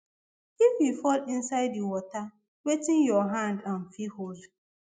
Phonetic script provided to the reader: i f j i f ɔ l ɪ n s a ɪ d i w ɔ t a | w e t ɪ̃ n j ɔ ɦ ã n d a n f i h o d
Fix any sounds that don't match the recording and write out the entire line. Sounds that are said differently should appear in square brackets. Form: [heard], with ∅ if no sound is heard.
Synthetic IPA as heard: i f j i f ɔ l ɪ n s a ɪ d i w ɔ t a | w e t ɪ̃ n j ɔ ɦ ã n d a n f i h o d